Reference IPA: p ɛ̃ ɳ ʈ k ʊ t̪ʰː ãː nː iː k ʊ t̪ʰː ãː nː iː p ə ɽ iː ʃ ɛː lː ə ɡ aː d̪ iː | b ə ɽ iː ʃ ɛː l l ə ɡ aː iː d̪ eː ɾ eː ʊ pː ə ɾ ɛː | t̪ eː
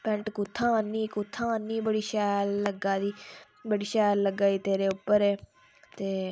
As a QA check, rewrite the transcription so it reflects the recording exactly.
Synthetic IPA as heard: p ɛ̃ ɳ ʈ k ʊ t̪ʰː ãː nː iː k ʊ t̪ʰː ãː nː iː b ə ɽ iː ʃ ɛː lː ə ɡ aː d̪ iː | b ə ɽ iː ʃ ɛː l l ə ɡ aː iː t̪ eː ɾ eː ʊ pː ə ɾ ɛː | t̪ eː